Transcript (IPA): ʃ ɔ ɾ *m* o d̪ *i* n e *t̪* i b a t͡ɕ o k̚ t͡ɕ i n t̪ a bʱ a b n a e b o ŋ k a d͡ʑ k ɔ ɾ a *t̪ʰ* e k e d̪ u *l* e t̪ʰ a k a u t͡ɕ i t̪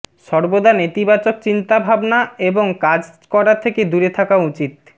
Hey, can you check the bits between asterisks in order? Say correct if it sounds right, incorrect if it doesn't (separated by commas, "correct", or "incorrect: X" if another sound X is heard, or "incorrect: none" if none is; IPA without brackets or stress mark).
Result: incorrect: b, incorrect: a, correct, correct, incorrect: ɾ